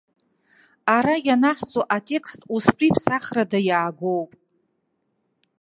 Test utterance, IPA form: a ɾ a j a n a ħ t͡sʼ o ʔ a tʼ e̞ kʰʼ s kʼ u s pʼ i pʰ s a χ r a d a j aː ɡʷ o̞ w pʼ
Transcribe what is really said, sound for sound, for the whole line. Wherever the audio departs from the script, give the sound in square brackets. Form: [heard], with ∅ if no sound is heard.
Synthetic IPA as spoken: a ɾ a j a n a ħ t͡sʼ o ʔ a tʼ e̞ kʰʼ s [tʼ] u s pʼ i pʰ s a χ r a d a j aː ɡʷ o̞ w pʼ